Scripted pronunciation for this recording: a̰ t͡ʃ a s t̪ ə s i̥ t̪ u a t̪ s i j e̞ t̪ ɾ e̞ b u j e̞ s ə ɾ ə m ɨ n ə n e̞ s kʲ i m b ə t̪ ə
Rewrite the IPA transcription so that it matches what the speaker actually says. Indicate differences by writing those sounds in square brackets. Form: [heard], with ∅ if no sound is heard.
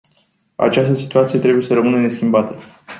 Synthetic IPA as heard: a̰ t͡ʃ a s t̪ ə s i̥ t̪ u a t̪ s i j e̞ t̪ ɾ e̞ b u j e̞ s ə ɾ ə m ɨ n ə n e̞ s kʲ i m b [a] t̪ ə